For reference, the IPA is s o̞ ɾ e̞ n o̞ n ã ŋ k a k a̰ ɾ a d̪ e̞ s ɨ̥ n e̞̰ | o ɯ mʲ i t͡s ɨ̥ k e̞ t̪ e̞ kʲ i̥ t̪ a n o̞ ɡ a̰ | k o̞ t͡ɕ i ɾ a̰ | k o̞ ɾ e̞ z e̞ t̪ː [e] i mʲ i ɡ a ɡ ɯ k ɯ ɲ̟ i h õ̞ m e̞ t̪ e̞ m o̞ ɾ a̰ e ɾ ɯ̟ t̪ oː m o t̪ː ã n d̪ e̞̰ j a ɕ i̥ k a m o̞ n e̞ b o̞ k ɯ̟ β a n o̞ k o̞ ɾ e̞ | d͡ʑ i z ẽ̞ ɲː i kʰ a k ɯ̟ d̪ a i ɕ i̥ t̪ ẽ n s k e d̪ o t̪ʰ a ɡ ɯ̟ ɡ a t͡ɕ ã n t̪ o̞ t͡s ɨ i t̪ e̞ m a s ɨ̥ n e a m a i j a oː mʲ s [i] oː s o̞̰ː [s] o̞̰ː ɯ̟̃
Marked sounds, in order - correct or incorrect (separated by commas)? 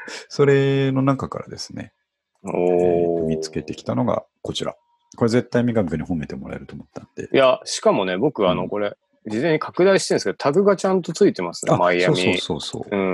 incorrect, correct, correct